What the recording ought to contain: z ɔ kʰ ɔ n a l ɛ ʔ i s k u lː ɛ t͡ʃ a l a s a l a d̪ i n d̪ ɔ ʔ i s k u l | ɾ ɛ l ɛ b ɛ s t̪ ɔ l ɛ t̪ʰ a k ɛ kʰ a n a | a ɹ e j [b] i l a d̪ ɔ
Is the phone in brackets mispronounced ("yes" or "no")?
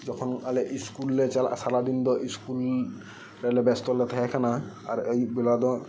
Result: no